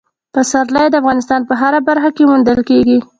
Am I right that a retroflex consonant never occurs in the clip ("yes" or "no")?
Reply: yes